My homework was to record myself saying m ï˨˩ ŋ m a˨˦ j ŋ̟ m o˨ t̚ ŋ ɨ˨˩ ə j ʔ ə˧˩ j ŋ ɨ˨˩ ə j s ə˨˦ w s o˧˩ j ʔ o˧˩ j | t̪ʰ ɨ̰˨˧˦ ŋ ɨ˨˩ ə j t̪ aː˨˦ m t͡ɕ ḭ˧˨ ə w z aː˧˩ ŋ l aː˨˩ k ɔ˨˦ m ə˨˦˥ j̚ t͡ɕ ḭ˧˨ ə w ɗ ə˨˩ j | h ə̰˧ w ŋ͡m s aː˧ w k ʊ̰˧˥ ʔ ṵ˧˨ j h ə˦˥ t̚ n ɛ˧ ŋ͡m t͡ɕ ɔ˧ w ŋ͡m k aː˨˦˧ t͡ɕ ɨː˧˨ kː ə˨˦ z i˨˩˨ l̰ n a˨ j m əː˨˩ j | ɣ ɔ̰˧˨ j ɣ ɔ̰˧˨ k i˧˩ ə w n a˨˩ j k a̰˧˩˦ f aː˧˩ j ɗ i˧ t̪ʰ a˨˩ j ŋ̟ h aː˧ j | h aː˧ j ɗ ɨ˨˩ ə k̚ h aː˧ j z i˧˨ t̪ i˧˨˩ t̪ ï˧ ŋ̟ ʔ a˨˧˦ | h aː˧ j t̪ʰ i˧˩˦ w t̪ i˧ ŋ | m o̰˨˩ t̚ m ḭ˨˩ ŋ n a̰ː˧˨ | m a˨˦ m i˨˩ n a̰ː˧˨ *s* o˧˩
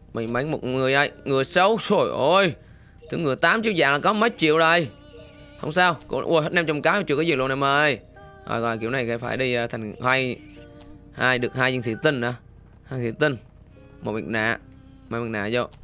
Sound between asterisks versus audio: incorrect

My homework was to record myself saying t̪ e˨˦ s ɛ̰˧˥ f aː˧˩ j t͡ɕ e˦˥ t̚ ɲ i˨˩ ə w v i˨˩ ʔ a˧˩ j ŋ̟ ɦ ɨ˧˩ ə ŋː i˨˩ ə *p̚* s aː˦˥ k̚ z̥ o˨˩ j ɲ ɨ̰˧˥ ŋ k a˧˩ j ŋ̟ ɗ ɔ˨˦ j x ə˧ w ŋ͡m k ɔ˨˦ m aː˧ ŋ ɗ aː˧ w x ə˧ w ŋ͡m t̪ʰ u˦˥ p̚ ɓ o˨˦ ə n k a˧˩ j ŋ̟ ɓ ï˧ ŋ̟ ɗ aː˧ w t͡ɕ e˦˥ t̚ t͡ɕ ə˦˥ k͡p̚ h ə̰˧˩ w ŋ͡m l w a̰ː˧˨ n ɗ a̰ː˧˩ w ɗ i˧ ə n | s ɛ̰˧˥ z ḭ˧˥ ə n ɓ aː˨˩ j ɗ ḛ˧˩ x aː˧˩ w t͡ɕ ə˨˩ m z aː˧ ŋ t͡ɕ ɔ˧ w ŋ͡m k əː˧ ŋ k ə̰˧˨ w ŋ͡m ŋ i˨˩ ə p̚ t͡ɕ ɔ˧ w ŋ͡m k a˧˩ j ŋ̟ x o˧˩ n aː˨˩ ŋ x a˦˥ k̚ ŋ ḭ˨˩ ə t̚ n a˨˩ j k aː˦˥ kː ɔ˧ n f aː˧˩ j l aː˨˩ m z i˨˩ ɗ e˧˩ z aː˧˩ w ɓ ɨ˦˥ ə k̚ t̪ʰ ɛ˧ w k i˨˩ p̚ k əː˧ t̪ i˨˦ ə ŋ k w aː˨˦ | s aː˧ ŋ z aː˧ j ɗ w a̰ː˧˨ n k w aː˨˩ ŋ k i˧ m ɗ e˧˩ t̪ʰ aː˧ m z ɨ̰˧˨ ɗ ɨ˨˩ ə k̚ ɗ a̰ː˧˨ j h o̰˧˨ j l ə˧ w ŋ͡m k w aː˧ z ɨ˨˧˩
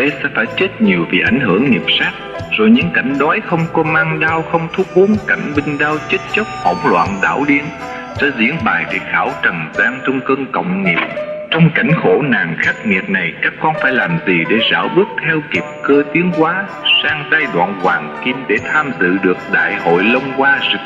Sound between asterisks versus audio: correct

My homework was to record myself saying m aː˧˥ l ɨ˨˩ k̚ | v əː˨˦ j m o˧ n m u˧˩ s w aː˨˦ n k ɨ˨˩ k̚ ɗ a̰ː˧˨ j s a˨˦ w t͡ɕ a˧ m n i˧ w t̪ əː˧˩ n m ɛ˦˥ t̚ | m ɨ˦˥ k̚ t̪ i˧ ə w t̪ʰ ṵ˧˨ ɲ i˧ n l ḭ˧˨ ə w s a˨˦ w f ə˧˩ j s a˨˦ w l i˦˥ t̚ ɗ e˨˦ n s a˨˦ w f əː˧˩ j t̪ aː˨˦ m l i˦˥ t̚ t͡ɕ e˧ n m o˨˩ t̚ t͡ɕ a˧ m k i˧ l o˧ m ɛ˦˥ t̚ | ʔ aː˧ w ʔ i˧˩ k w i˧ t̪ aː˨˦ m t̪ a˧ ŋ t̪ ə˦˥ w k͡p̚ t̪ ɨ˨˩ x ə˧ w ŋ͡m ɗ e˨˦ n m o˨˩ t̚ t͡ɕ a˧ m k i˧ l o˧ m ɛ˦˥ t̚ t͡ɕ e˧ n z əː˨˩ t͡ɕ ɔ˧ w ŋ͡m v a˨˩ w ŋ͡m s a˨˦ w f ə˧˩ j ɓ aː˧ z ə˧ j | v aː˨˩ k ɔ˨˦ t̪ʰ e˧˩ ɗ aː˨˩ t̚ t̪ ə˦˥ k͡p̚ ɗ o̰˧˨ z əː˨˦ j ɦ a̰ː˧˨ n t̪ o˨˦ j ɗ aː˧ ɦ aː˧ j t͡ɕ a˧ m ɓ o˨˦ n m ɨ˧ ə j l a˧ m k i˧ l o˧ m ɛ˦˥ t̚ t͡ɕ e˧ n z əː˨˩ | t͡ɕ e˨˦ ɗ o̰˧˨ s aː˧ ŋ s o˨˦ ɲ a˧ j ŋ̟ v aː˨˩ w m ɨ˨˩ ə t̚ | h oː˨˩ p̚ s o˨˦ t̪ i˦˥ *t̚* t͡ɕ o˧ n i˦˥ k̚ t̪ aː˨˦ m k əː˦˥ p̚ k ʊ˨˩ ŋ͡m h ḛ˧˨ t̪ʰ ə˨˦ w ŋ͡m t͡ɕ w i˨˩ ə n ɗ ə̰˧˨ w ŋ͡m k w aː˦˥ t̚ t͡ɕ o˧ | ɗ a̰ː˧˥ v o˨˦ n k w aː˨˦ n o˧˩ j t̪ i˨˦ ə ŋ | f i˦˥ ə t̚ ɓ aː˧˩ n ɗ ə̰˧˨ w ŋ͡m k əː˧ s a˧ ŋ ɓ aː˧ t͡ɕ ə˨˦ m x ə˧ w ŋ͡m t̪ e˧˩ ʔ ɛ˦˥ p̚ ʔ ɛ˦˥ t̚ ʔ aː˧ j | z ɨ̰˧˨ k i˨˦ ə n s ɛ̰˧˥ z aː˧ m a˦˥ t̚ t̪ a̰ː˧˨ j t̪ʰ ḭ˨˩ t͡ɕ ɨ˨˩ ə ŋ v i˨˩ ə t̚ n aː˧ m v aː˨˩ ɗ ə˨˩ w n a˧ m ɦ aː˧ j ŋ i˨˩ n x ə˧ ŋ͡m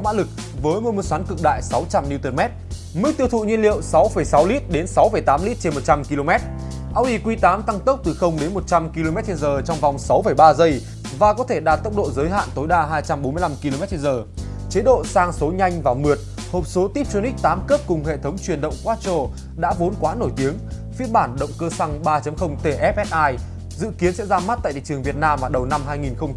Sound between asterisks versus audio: incorrect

